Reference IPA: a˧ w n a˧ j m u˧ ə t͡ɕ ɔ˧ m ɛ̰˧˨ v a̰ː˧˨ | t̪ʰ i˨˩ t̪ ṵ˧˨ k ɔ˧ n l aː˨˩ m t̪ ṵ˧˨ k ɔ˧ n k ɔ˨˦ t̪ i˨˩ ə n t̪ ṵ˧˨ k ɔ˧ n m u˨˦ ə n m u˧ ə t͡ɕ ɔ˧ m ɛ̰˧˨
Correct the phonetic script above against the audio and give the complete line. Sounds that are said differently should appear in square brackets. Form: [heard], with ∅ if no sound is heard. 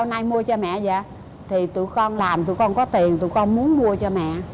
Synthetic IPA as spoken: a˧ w n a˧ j m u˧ ə t͡ɕ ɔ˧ m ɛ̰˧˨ [z] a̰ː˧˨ | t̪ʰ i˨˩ t̪ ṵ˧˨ k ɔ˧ n l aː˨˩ m t̪ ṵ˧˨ k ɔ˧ n k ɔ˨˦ t̪ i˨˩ ə n t̪ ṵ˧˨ k ɔ˧ n m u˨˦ ə n m u˧ ə t͡ɕ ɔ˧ m ɛ̰˧˨